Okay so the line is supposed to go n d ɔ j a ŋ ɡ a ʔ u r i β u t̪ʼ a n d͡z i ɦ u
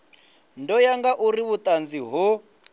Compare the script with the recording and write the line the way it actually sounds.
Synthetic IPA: n d ɔ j a ŋ ɡ a ʔ u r i β u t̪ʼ a n d͡z i ɦ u